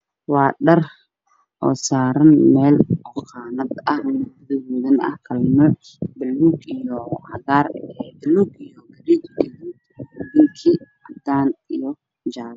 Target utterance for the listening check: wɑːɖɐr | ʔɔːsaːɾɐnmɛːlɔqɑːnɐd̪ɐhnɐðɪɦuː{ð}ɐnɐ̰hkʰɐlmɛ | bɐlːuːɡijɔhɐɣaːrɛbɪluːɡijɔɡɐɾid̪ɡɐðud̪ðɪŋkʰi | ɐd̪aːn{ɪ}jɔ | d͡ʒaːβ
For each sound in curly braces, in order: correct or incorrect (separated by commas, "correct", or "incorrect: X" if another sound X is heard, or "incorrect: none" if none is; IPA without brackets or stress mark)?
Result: correct, incorrect: i